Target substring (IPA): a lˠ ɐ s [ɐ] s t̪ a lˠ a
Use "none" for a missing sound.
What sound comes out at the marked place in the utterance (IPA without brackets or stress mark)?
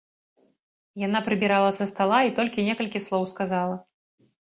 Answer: ɐ